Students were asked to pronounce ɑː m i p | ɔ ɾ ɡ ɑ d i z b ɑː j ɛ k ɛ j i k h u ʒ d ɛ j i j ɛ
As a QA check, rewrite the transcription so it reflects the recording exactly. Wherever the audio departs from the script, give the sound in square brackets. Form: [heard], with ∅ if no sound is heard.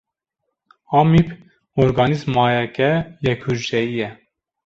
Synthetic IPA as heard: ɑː m i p | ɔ ɾ ɡ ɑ [n] i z [m] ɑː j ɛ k ɛ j [ɛ] k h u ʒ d ɛ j i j ɛ